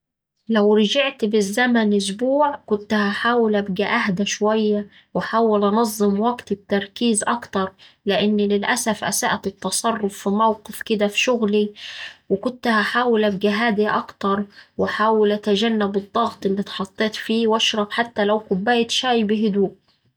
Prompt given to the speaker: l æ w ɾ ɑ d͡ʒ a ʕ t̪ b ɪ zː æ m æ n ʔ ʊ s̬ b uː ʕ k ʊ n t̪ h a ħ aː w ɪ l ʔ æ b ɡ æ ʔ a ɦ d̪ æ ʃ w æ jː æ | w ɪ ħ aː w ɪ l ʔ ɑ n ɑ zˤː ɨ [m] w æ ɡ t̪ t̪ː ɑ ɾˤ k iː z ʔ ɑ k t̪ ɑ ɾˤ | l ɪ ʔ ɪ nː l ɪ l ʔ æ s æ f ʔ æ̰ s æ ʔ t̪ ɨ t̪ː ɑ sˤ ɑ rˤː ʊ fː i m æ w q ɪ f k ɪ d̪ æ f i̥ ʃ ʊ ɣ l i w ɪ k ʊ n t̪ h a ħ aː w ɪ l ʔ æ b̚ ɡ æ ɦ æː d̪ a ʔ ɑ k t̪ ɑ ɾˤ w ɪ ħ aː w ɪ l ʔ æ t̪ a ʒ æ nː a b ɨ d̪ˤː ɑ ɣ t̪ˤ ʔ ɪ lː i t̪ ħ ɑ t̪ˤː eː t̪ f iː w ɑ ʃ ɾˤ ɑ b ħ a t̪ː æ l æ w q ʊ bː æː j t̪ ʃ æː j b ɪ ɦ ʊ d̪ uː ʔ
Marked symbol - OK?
yes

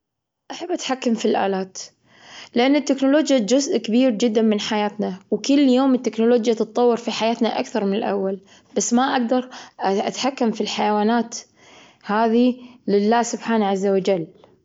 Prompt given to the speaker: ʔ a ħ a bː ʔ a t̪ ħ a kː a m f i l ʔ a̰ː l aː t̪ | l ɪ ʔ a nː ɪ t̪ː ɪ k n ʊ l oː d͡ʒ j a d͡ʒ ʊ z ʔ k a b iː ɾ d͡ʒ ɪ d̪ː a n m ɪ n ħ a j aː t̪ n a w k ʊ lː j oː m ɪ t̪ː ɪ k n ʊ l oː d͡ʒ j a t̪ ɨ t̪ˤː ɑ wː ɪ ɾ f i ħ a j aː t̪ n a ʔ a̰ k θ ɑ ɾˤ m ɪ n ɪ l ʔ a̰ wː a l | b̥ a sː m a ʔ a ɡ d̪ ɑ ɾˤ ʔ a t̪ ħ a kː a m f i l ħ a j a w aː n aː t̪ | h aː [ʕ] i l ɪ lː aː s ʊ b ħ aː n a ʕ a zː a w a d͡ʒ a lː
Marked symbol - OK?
no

